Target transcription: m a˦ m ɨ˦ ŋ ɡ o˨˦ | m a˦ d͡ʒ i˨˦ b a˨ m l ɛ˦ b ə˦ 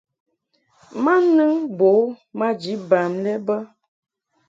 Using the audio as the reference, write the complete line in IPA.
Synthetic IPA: m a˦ n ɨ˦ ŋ b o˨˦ | m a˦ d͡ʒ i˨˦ b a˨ m l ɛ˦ b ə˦